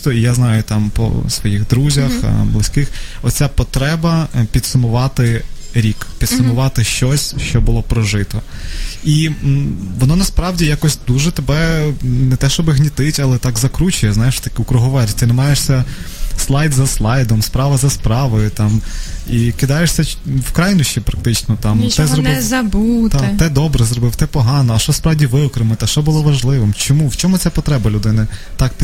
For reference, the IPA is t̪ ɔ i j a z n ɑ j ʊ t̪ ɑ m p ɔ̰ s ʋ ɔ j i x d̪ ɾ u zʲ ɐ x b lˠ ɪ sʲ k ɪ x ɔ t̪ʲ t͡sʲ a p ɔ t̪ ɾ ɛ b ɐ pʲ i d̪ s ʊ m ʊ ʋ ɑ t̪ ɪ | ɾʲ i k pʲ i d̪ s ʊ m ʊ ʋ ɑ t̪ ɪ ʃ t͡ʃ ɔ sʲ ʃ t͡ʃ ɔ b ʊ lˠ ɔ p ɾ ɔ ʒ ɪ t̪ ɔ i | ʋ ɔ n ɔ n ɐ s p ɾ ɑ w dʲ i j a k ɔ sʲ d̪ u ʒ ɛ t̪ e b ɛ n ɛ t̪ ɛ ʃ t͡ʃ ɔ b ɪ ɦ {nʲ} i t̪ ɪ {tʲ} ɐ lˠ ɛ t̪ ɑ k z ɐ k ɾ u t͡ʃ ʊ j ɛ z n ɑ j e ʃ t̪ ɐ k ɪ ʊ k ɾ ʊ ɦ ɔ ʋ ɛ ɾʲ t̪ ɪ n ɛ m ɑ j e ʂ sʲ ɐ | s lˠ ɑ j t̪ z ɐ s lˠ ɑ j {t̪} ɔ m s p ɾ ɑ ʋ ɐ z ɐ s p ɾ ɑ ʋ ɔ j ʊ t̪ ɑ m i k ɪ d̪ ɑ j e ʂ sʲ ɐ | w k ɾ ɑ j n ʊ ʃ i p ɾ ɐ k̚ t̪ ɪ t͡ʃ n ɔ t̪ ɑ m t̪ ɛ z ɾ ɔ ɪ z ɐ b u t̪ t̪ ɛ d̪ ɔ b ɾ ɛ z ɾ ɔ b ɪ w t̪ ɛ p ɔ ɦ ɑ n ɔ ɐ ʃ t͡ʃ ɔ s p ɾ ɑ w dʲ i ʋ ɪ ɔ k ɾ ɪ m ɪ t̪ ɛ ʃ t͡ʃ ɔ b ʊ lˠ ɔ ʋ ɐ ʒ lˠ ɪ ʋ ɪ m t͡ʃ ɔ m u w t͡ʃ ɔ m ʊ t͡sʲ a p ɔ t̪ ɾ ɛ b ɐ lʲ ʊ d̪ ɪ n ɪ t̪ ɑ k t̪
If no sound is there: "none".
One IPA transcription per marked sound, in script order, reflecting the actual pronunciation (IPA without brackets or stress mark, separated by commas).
nʲ, tʲ, d̪